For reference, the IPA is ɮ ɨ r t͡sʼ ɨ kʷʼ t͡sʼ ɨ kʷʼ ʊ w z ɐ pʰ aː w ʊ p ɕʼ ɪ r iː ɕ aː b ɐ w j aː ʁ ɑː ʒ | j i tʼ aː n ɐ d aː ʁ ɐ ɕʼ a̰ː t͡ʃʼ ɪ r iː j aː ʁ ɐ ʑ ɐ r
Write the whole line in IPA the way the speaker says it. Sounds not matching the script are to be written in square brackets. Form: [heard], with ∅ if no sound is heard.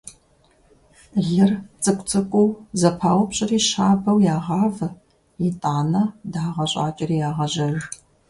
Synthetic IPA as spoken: ɮ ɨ r t͡sʼ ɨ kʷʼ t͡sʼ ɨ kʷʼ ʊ w z ɐ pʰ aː w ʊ p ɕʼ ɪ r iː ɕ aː b ɐ w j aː ʁ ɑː [v] | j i tʼ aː n ɐ d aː ʁ ɐ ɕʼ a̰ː t͡ʃʼ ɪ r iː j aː ʁ ɐ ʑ ɐ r